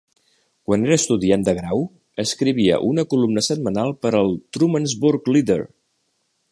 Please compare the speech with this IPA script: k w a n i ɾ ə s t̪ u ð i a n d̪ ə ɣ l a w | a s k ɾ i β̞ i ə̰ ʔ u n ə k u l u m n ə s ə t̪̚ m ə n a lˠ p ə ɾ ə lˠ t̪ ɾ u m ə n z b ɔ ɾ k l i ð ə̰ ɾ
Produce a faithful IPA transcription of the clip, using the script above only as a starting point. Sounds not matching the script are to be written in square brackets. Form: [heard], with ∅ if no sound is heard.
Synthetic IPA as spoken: k w a n [e] ɾ ə s t̪ u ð i a n d̪ ə ɣ [ɾ] a w | [ə] s k ɾ i β̞ i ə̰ ʔ u n ə k u l u m n ə s ə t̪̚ m ə n a lˠ p ə ɾ ə lˠ t̪ ɾ u m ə n z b [u] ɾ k l i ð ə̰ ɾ